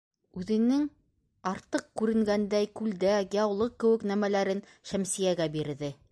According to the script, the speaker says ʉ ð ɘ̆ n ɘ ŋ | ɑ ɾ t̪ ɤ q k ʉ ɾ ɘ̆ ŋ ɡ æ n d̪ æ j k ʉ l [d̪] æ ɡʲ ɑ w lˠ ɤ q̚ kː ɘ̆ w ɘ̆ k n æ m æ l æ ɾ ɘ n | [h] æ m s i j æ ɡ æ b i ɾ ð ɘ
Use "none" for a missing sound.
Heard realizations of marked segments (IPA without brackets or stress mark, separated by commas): d̪, ʃ